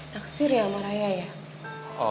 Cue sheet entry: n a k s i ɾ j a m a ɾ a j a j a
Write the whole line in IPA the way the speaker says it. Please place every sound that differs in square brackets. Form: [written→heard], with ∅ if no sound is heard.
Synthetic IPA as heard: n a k s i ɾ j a m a ɾ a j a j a

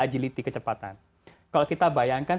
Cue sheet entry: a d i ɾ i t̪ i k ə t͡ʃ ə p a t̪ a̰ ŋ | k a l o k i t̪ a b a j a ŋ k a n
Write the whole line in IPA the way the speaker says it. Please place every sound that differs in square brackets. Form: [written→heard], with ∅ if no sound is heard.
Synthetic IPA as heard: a [d→d͡ʒ] i [ɾ→l] i t̪ i k ə t͡ʃ ə p a t̪ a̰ [ŋ→n] | k a l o k i t̪ a b a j a ŋ k a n

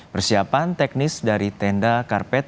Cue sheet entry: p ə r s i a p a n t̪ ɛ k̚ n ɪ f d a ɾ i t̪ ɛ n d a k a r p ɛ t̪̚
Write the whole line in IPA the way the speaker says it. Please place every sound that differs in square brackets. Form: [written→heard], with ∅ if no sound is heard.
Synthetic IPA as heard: p ə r s i a p a n t̪ ɛ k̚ n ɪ [f→s] d a ɾ i t̪ ɛ n d a k a r p ɛ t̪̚

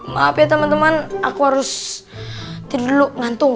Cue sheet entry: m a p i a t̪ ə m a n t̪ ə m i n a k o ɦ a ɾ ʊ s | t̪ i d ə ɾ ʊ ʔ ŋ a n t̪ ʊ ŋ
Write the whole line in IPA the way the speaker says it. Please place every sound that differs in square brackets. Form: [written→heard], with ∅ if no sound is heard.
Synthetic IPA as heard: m a p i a t̪ ə m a n t̪ ə m [i→a] n a k [o→u] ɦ a ɾ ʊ s | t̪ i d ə [ɾ→l] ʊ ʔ ŋ a n t̪ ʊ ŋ

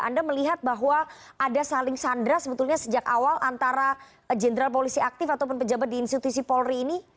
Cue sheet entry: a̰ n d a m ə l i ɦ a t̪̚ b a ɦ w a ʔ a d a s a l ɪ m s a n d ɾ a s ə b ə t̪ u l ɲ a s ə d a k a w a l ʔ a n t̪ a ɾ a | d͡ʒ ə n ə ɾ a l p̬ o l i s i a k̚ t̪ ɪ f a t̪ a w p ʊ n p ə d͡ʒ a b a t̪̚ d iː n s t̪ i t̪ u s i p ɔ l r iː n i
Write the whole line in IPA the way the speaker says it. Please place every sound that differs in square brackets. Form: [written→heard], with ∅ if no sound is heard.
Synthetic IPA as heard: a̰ n d a m ə l i ɦ a t̪̚ b a ɦ w a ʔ a d a s a l ɪ [m→ŋ] s a n d ɾ a s ə b ə t̪ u l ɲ a s ə [d→d͡ʒ] a k a w a l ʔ a n t̪ a ɾ a | d͡ʒ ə n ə ɾ a l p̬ o l i s i a k̚ t̪ ɪ f a t̪ a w p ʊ n p ə d͡ʒ a b a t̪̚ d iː n s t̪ i t̪ u s i p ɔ l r iː n i

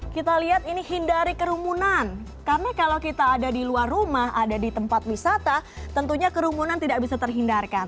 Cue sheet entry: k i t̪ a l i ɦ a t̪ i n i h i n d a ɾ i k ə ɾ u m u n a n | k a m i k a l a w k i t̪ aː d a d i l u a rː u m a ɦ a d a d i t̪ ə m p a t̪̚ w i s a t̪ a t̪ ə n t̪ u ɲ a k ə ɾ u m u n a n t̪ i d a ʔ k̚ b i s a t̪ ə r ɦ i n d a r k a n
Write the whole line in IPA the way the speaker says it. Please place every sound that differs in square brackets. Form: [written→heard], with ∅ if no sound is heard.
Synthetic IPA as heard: k i t̪ a l i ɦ a t̪ i n i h i n d a ɾ i k ə ɾ u m u n a n | k a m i k a l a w k i t̪ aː d a d i l u a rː u m a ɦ a d a d i t̪ ə m p a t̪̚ w i s a t̪ a t̪ ə n t̪ u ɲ a k ə ɾ u m u n a n t̪ i d a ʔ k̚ b i s a t̪ ə r ɦ i n d a r k a n

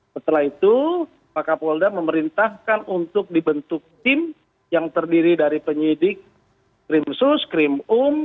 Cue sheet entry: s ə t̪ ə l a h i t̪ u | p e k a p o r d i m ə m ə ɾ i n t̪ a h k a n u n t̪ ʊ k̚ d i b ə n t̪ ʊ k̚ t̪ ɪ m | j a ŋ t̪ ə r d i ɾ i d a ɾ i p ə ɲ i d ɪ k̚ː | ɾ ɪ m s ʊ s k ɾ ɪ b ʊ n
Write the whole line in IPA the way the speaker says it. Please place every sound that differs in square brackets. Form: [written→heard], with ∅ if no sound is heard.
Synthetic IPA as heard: s ə t̪ ə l a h i t̪ u | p [e→a] k a p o [r→l] d [i→a] m ə m ə ɾ i n t̪ a h k a n u n t̪ ʊ k̚ d i b ə n t̪ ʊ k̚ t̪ ɪ m | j a ŋ t̪ ə r d i ɾ i d a ɾ i p ə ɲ i d ɪ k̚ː | ɾ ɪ m s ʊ s k ɾ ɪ [b→m] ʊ [n→m]

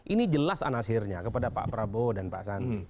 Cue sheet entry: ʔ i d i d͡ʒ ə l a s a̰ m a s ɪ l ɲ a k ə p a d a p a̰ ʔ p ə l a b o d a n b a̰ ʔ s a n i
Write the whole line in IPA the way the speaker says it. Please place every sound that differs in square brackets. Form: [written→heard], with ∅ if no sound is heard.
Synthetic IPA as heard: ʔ i [d→n] i d͡ʒ ə l a s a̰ [m→n] a s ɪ [l→r] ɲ a k ə p a d a p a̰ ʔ p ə [l→ɾ] a b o d a n [b→p] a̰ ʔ s a n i

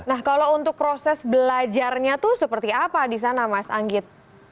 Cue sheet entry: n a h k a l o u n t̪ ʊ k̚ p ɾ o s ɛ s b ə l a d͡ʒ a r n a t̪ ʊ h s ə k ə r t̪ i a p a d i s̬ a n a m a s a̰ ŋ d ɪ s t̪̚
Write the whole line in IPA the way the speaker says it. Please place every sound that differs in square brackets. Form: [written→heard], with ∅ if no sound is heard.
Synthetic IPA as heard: n a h k a l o u n t̪ ʊ k̚ p ɾ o s ɛ s b ə l a d͡ʒ a r [n→ɲ] a t̪ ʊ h s ə [k→p] ə r t̪ i a p a d i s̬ a n a m a s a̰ ŋ [d→ɡ] ɪ [s→∅] t̪̚

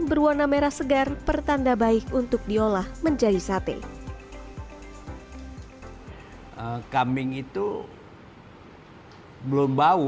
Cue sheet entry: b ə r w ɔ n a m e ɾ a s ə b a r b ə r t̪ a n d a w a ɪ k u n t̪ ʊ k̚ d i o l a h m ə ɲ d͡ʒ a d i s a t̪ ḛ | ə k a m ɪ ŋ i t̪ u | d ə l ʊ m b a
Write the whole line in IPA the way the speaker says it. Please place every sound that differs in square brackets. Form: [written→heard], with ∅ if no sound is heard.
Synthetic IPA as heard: b ə r w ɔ n a m e ɾ a s ə [b→ɡ] a r [b→p] ə r t̪ a n d a [w→b] a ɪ k u n t̪ ʊ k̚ d i o l a h m ə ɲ d͡ʒ a d i s a t̪ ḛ | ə k a m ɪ ŋ i t̪ u | [d→b] ə l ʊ m b a

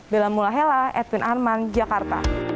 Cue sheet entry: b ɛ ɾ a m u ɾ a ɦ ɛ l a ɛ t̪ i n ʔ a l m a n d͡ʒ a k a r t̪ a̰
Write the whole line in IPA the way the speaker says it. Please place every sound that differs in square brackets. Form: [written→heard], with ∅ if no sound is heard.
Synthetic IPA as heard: b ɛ [ɾ→l] a m u [ɾ→l] a ɦ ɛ l a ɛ t̪ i n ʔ a [l→r] m a n d͡ʒ a k a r t̪ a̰

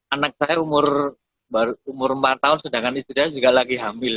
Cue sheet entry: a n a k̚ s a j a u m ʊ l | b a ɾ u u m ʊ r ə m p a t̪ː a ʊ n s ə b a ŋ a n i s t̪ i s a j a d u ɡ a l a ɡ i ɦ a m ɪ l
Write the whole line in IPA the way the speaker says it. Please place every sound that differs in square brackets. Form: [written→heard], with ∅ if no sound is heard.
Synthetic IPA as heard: a n a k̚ s a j a u m ʊ [l→r] | b a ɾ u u m ʊ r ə m p a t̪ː a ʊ n s ə [b→d] a ŋ a n i s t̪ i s a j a [d→d͡ʒ] u ɡ a l a ɡ i ɦ a m ɪ l

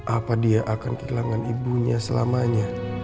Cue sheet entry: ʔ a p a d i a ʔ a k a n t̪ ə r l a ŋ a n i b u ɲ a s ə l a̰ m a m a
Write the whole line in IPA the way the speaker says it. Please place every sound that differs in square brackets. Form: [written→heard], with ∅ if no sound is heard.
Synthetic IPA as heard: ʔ a p a d i a ʔ a k a n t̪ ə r l a ŋ a n i b u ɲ a s ə l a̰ m a [m→ɲ] a

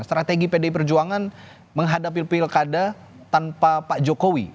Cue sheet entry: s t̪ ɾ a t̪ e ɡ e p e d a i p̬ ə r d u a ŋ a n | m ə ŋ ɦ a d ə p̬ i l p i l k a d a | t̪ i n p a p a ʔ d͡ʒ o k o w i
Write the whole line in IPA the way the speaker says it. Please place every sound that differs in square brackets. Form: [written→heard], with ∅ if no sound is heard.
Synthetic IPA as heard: s t̪ ɾ a t̪ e ɡ [e→i] p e d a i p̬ ə r [d→d͡ʒ] u a ŋ a n | m ə ŋ ɦ a d [ə→a] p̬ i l p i l k a d a | t̪ [i→a] n p a p a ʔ d͡ʒ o k o w i

